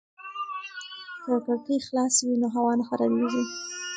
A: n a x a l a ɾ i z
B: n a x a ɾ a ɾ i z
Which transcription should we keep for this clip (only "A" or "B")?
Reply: B